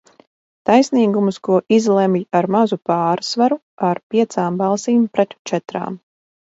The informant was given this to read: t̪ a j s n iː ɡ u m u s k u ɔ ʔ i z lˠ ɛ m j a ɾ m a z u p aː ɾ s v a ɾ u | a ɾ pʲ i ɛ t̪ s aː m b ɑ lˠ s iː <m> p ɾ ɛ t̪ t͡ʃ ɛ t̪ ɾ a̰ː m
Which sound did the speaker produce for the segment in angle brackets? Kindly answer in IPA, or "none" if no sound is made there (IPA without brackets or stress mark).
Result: m